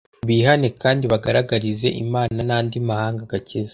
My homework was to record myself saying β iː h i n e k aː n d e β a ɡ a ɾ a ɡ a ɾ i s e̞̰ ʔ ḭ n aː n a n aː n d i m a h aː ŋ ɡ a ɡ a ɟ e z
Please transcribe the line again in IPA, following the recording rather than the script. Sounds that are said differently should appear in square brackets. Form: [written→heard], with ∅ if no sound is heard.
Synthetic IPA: β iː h [i→a] n e k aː n d [e→i] β a ɡ a ɾ a ɡ a ɾ i [s→z] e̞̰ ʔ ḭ [n→m] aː n a n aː n d i m a h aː ŋ ɡ a ɡ a [ɟ→c] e z

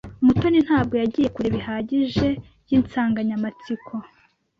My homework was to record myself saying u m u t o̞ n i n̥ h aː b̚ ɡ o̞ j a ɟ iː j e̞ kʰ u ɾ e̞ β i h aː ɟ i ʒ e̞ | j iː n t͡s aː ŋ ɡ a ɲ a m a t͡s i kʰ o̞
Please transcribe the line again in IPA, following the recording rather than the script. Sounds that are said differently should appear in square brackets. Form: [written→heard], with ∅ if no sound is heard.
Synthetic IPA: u m u t o̞ n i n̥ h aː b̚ ɡ o̞ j a ɟ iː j e̞ [kʰ→k] u ɾ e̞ β i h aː ɟ i ʒ e̞ | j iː n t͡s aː ŋ ɡ a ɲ a m a t͡s i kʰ o̞

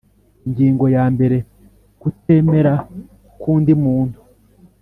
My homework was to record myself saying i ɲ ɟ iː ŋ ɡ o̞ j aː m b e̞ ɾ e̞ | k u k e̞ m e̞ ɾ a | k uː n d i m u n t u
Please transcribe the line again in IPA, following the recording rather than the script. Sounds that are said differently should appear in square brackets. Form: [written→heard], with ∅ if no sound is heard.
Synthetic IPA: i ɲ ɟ iː ŋ ɡ o̞ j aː m b e̞ ɾ e̞ | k u [k→t] e̞ m e̞ ɾ a | k uː n d i m [u→uː] n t u

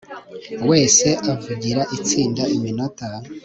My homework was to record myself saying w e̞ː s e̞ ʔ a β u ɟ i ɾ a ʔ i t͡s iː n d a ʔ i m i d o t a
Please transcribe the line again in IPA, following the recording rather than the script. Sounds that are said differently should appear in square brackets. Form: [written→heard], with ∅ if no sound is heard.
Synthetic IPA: w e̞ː s e̞ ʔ a [β→v] u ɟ i ɾ a ʔ i t͡s iː n d a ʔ i m i [d→n] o t a

